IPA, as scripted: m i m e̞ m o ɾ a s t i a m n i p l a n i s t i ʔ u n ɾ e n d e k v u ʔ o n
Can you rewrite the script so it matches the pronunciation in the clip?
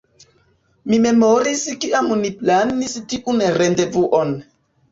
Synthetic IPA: m i m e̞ m o ɾ i s k i a m n i p l a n i s t i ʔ u n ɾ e n d e v u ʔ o n

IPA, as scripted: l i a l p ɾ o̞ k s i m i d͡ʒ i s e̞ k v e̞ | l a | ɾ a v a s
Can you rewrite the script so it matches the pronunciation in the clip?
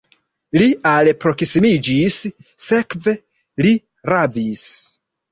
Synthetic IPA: l i a l p ɾ o̞ k s i m i d͡ʒ i sː e̞ k v e̞ | l i | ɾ a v i s

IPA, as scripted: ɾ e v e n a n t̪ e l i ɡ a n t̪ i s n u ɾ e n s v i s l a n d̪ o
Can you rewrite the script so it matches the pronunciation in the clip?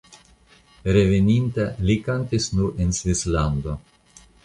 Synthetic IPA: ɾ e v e n i n t̪ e l i k a n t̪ i s n u ɾ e n s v i s l a n d̪ o

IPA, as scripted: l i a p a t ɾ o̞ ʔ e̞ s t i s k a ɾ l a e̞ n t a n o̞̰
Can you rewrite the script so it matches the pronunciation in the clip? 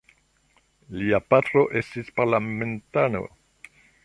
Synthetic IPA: l i a p a t ɾ o̞ ʔ e̞ s t i s p a ɾ l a e̞ n t a n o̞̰

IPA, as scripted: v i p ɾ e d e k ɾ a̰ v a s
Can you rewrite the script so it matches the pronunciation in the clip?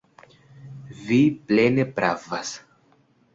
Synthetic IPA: v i p l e n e p ɾ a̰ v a s

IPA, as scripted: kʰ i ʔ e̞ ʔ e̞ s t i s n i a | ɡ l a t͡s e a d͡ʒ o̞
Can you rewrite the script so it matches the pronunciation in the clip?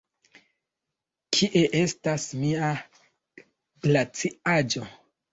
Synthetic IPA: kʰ i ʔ e̞ ʔ e̞ s t a s m i a | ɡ l a t͡s i a d͡ʒ o̞

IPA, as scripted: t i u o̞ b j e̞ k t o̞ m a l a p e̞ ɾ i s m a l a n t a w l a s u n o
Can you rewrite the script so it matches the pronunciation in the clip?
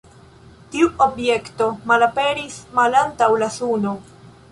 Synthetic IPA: t i u o̞ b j e̞ k t o̞ m a l a p e̞ ɾ i s m a l a n t a w l a s u n o

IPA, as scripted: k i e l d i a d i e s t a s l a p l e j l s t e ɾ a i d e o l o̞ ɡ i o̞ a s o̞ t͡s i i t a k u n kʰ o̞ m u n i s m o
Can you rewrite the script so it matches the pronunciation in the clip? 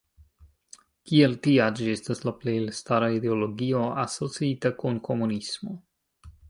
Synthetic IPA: k i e l t i a d͡ʒ i e s t a s l a p l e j l s t a ɾ a i d e o l o̞ ɡ i o̞ a s o̞ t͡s i i t a k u n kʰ o̞ m u n i s m o

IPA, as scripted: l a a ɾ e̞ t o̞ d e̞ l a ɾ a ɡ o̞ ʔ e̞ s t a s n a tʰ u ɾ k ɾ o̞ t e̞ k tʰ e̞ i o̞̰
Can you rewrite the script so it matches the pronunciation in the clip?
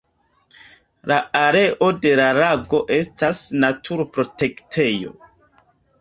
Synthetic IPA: l a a ɾ e̞ ʔ o̞ d e̞ l a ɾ a ɡ o̞ ʔ e̞ s t a s n a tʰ u ɾ p ɾ o̞ t e̞ k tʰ e̞ j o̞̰

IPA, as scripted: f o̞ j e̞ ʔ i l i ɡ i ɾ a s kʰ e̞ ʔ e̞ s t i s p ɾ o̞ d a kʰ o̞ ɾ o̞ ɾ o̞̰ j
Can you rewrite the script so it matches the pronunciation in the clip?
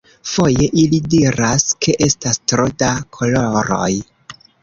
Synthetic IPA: f o̞ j e̞ ʔ i l i d i ɾ a s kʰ e̞ ʔ e̞ s t a s t ɾ o̞ d a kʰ o̞ l o̞ ɾ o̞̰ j

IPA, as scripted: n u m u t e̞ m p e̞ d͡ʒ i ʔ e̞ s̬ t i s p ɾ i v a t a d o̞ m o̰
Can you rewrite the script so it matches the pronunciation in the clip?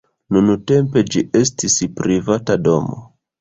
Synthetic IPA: n u n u t e̞ m p e̞ d͡ʒ i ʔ e̞ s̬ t i s p ɾ i v a t a d o̞ m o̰

